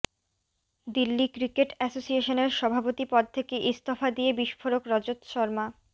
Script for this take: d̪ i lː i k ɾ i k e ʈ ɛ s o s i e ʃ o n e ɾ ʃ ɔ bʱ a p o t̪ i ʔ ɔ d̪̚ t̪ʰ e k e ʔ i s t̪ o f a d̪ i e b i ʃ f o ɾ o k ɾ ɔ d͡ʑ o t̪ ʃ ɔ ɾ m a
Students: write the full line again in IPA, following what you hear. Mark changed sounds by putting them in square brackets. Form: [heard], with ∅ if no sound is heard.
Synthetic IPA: d̪ i lː i k ɾ i k e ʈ ɛ s o s i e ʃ o n e ɾ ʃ ɔ bʱ a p o t̪ i [p] ɔ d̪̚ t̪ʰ e k e ʔ i s t̪ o f a d̪ i e b i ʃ f o ɾ o k ɾ ɔ d͡ʑ o t̪ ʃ ɔ ɾ m a